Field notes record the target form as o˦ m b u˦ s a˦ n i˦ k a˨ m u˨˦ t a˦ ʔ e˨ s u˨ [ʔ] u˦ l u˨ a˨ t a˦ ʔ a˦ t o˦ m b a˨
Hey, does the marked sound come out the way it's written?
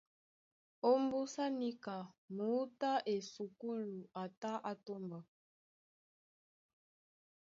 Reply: no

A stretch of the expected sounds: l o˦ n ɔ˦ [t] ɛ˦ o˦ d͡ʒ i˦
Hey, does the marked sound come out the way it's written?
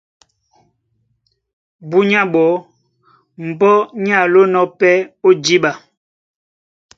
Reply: no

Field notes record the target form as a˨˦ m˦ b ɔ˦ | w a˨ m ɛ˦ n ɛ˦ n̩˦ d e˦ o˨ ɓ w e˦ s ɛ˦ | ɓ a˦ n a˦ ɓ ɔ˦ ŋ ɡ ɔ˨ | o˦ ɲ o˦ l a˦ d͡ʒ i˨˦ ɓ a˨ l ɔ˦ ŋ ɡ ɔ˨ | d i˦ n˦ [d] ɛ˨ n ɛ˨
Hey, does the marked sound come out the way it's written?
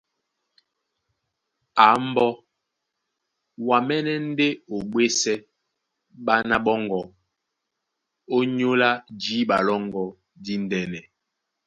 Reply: yes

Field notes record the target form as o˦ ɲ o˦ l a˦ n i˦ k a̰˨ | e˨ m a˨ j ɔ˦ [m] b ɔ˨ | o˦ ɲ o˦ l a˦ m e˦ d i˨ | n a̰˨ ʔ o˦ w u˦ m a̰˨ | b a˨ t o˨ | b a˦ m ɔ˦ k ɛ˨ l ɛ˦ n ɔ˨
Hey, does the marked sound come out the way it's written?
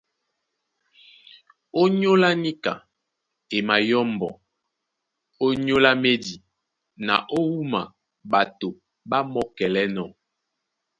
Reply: yes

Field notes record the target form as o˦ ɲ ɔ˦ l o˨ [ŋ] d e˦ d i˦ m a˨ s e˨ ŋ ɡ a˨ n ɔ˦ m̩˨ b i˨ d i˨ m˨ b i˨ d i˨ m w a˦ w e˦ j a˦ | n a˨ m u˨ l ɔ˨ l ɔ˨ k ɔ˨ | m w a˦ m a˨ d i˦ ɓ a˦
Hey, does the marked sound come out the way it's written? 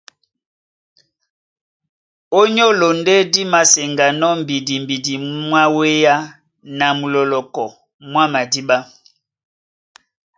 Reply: no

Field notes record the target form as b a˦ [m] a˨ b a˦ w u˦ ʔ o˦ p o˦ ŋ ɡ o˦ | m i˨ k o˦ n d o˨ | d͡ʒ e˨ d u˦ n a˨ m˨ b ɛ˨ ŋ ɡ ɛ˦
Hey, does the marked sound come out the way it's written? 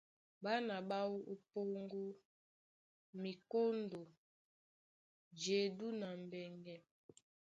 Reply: no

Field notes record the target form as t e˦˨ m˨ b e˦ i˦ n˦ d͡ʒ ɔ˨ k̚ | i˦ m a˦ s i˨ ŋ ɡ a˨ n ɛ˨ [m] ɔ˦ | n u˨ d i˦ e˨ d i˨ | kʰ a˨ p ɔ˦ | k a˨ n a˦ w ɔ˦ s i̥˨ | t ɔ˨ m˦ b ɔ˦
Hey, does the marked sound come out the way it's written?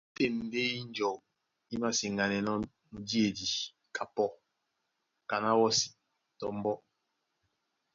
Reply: no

